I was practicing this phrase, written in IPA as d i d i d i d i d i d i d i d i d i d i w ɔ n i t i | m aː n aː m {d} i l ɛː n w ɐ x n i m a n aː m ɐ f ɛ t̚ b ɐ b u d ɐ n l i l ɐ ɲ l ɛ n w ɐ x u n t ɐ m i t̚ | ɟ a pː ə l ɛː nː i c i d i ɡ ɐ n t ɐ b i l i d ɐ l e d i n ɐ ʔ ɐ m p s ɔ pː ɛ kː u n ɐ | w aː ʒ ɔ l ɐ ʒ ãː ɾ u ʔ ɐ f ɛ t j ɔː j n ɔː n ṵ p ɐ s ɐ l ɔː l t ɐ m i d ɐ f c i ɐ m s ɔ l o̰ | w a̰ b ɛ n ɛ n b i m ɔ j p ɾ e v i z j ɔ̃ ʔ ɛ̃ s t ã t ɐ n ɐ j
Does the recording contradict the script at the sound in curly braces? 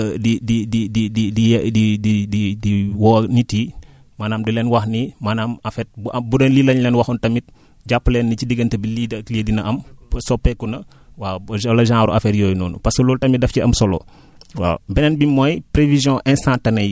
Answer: no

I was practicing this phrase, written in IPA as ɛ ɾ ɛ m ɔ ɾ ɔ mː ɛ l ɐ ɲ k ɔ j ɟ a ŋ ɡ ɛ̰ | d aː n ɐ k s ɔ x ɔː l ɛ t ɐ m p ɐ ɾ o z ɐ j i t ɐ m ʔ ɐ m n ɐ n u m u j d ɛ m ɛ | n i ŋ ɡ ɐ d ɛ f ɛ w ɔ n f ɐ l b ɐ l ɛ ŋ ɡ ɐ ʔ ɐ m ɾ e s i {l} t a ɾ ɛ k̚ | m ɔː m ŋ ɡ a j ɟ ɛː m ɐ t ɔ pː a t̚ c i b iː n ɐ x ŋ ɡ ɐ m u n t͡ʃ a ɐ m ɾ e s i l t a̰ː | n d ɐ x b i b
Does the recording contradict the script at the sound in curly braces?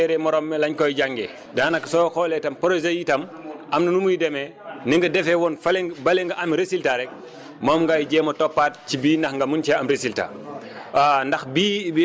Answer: no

